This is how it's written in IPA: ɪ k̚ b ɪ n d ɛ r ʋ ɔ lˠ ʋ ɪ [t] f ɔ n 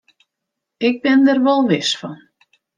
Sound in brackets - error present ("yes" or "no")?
yes